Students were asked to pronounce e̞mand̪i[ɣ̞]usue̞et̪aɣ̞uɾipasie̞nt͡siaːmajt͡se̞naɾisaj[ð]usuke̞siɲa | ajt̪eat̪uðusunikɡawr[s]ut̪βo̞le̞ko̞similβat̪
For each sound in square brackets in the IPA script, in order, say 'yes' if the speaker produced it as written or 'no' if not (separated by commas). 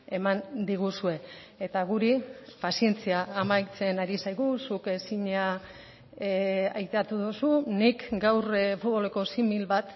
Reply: yes, no, no